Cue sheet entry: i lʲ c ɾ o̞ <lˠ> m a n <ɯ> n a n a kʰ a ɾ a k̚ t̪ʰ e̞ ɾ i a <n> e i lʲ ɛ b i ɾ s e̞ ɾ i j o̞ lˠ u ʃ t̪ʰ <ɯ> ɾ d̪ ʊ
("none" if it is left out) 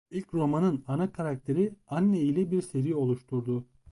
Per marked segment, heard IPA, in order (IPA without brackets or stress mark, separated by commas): none, ɯ, nː, u